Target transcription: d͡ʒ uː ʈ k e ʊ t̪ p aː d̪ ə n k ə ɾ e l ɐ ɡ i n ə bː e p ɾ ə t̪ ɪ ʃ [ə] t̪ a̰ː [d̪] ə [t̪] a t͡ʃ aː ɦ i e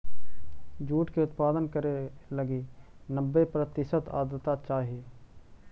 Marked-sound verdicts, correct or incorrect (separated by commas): correct, correct, correct